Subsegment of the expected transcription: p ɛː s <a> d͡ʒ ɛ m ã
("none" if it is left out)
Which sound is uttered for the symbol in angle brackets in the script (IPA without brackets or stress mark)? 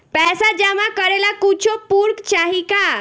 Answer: a